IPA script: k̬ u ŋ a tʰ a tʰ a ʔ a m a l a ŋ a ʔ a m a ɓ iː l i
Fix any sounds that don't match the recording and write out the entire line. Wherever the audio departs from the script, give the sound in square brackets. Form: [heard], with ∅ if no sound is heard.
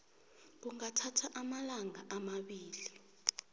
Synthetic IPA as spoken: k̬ u ŋ a tʰ a tʰ a ʔ a m a l a ŋ a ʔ a m a ɓ iː l i